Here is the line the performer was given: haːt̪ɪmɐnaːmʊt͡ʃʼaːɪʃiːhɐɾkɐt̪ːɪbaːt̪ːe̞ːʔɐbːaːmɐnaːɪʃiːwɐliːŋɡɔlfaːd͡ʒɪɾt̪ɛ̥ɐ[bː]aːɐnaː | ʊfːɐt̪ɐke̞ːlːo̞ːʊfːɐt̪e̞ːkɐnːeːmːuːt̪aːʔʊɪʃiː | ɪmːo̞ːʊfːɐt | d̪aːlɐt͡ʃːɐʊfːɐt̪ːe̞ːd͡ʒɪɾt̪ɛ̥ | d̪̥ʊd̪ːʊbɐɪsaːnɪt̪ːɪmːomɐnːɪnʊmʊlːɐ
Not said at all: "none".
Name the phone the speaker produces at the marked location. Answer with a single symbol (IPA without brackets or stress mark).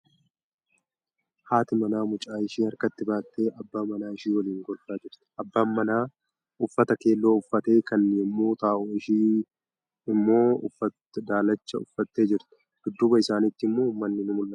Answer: bː